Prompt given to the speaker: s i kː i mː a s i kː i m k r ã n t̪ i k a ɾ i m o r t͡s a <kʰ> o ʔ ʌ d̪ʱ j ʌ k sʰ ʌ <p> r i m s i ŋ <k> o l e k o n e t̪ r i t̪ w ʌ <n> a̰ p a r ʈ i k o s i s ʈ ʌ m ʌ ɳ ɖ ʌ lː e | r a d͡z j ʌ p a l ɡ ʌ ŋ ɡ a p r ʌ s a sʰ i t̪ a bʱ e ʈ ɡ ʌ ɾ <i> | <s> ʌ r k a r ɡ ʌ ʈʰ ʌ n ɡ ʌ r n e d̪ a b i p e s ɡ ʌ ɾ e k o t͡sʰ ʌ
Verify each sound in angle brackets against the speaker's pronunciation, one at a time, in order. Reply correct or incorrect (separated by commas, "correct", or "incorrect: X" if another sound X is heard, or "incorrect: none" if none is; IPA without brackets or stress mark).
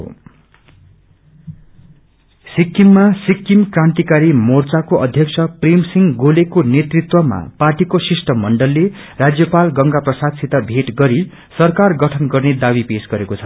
incorrect: k, correct, incorrect: ɡ, incorrect: m, correct, correct